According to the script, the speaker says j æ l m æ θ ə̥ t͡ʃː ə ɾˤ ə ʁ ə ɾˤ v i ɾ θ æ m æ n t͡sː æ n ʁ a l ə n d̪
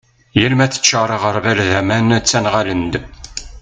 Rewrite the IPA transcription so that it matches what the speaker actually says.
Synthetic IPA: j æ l m æ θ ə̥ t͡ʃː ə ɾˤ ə ʁ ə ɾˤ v æ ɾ ð æ m æ n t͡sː æ n ʁ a l ə n d̪